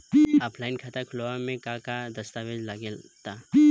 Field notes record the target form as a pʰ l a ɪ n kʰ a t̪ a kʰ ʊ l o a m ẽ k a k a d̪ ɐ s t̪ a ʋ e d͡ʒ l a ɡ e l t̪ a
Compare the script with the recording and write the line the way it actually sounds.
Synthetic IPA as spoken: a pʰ l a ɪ n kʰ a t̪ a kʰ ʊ l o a m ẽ k a k a d̪ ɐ s t̪ a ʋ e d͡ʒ l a ɡ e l t̪ a